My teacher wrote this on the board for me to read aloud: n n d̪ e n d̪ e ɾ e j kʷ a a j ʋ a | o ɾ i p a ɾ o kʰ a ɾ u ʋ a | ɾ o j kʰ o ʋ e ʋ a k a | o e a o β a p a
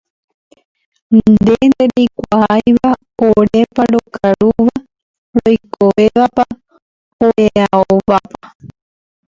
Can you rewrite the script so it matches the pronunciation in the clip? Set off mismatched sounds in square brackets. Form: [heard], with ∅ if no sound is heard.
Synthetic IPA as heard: n n d̪ e n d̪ e ɾ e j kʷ a a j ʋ a | o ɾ [e] p a ɾ o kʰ a ɾ u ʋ a | ɾ o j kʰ o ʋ e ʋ a [p] a | o e a o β a p a